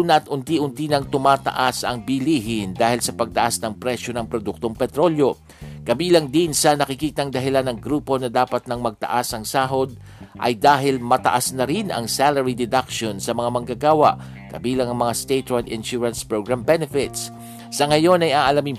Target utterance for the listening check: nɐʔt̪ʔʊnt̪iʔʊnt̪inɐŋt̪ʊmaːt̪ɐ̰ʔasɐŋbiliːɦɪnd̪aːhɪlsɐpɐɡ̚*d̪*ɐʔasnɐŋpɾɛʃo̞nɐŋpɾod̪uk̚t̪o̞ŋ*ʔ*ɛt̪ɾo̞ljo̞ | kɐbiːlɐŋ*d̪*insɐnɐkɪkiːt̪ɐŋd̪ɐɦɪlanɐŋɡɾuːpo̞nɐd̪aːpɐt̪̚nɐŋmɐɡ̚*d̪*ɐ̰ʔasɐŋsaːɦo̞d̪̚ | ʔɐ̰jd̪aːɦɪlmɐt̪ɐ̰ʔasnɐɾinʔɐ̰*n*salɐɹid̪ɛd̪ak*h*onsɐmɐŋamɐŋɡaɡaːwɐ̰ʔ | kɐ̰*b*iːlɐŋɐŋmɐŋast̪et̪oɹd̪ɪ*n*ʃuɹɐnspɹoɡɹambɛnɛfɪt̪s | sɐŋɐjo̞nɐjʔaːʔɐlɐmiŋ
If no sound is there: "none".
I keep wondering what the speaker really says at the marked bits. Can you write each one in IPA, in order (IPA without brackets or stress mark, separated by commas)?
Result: t̪, p, d̪, t̪, ŋ, ʃ, b, n